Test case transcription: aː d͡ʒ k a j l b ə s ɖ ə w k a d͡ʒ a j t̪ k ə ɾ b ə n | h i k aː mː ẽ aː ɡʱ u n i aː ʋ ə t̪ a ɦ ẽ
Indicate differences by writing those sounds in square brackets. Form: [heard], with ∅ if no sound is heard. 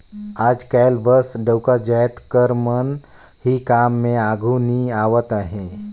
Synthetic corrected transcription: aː d͡ʒ k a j l b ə s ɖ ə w k a d͡ʒ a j t̪ k ə ɾ [m] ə n | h i k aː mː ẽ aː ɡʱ u n i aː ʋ ə t̪ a ɦ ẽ